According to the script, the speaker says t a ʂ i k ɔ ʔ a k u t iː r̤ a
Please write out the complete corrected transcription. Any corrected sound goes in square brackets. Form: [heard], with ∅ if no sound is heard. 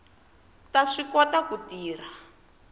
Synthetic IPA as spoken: t a ʂ i k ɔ [t] a k u t iː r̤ a

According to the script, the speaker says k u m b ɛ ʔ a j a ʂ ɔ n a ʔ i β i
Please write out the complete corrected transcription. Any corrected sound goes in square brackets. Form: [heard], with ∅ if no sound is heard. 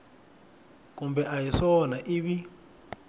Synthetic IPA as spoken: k u m b ɛ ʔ a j [i] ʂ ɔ n a ʔ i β i

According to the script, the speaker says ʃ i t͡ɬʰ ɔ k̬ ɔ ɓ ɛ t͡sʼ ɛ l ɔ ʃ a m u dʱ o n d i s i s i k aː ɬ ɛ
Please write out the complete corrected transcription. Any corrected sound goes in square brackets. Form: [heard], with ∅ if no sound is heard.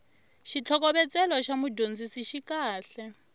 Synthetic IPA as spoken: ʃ i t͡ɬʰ ɔ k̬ ɔ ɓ ɛ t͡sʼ ɛ l ɔ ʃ a m u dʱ o n [d͡z] i s i [ʃ] i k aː ɬ ɛ

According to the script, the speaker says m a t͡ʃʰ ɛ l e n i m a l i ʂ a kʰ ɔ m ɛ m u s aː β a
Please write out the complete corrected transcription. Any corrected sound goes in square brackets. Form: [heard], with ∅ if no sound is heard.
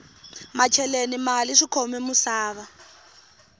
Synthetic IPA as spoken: m a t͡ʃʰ ɛ l e n i m a l i ʂ [i] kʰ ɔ m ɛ m u s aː β a

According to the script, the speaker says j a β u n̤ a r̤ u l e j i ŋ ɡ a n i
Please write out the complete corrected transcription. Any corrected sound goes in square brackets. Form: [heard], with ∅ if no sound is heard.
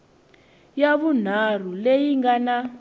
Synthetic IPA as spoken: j a β u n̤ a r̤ u l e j i ŋ ɡ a n [a]

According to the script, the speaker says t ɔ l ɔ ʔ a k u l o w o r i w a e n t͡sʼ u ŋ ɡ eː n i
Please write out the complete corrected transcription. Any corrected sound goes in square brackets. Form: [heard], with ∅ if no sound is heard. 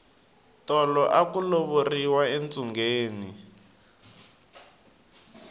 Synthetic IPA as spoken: t ɔ l ɔ ʔ a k u l o [β] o r i w a e n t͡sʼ u ŋ ɡ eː n i

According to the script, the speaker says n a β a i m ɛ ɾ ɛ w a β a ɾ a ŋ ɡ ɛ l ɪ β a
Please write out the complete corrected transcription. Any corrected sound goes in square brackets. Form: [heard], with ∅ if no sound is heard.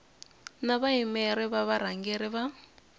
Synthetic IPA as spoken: n a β a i m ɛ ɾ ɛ [β] a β a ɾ a ŋ ɡ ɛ [ɾ] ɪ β a

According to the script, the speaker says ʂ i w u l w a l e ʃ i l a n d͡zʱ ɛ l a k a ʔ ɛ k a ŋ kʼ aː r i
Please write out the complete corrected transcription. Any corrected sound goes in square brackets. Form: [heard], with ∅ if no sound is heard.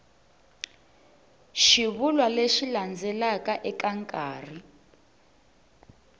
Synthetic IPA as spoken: [ʃ] i [β] u l w a l e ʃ i l a n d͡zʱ ɛ l a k a ʔ ɛ k a ŋ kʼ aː r i

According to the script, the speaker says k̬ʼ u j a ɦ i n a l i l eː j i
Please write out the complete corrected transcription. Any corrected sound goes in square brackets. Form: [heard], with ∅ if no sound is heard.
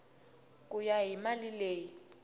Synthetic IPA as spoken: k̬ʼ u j a ɦ i [m] a l i l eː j i

